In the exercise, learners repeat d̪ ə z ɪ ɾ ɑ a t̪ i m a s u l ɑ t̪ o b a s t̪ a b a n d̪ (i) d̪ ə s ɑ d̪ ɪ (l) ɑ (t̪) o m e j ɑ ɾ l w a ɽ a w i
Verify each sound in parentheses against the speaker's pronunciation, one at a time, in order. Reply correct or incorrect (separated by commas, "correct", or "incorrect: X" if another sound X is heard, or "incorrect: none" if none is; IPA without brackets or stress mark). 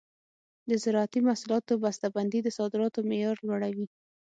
correct, incorrect: ɾ, correct